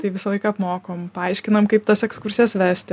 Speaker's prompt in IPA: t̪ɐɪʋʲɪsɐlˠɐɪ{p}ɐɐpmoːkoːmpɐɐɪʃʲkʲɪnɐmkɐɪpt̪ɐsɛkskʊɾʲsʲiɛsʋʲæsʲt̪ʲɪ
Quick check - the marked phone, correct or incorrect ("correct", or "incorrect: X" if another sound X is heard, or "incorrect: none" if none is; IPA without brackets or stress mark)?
incorrect: k